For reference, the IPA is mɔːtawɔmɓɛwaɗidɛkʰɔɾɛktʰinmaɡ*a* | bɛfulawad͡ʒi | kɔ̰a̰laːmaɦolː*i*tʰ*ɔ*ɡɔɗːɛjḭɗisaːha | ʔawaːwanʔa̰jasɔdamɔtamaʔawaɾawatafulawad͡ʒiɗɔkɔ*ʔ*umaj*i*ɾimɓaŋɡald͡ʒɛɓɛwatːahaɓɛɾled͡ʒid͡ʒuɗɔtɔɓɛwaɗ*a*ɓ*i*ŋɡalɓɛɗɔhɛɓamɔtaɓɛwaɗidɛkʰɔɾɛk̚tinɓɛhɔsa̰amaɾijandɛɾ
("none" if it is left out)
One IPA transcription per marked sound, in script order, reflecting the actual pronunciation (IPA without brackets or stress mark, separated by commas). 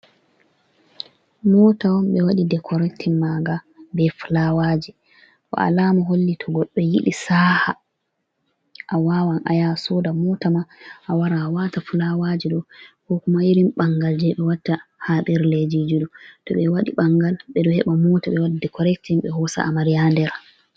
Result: a, i, ɔ, k, i, i, a